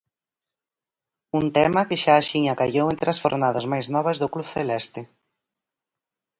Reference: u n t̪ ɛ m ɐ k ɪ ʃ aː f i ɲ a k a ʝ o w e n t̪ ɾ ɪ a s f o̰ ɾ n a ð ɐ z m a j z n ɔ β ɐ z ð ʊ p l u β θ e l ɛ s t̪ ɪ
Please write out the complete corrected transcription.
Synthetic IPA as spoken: u n t̪ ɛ m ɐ k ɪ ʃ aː ʃ i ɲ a k a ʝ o w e n t̪ ɾ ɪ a s f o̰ ɾ n a ð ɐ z m a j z n ɔ β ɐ z ð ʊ k l u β θ e l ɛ s t̪ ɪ